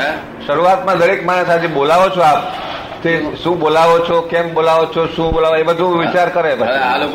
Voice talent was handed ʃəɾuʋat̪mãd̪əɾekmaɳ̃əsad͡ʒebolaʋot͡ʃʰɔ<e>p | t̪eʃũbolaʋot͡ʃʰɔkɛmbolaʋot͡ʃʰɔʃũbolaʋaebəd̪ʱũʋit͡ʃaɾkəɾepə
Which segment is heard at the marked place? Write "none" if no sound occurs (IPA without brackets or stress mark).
a